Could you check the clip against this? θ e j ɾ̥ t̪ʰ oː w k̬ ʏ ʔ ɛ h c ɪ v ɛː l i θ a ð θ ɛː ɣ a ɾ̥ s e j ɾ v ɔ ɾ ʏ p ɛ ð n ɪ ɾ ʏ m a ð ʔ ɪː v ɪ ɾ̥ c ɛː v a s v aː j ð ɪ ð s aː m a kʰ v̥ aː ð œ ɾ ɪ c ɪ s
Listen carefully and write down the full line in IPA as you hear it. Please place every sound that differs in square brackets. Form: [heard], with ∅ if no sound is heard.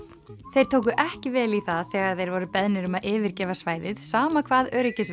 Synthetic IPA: θ e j ɾ̥ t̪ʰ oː w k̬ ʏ ʔ ɛ h c ɪ v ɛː l i θ a ð θ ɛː ɣ a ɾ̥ [θ] e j ɾ v ɔ ɾ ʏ p ɛ ð n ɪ ɾ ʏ m a ð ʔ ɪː v ɪ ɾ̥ c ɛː v a s v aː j ð ɪ ð s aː m a kʰ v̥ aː ð œ ɾ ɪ c ɪ s